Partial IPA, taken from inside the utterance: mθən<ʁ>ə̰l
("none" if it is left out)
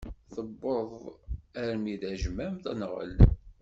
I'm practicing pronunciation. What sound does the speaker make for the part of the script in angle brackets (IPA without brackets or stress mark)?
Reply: ʁ